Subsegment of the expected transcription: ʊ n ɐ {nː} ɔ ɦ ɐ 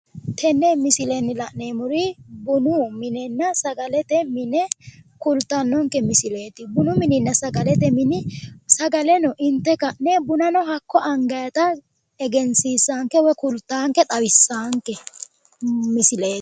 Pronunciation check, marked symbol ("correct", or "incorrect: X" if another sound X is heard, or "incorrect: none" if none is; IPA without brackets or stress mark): incorrect: n